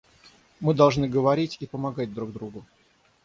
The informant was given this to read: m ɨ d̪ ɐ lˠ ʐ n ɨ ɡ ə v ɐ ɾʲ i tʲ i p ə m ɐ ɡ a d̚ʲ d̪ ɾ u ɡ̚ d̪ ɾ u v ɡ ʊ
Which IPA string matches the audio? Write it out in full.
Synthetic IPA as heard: m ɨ d̪ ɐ lˠ ʐ n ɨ ɡ ə v ɐ ɾʲ i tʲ i p ə m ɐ ɡ a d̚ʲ d̪ ɾ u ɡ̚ d̪ ɾ u ɡ ʊ